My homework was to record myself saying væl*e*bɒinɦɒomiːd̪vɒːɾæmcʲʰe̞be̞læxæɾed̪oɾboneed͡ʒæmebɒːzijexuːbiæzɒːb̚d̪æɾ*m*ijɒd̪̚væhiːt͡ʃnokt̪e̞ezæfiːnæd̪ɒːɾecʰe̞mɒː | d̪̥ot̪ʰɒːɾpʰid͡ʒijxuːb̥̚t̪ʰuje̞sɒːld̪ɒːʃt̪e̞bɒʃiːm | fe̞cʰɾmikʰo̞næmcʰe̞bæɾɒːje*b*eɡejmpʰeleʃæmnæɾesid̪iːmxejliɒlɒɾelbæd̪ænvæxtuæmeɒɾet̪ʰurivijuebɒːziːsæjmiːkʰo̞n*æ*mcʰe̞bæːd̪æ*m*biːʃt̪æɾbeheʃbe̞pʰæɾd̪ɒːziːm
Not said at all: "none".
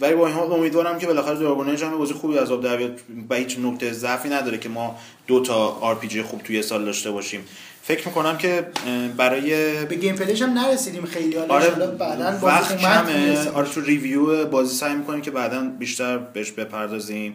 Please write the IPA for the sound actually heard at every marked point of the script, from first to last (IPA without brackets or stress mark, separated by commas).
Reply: i, b, b, i, n